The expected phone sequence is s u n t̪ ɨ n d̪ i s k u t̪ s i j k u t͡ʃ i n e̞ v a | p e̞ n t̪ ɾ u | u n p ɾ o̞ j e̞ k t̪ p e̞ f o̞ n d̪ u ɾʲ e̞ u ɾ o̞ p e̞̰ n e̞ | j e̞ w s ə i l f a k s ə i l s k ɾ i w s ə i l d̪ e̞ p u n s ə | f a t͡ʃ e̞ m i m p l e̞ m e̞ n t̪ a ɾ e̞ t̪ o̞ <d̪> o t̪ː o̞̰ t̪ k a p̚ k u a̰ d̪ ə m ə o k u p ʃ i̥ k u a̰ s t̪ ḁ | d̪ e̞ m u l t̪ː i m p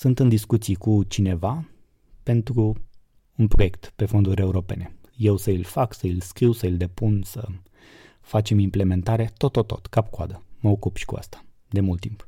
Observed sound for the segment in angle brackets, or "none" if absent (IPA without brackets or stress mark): t̪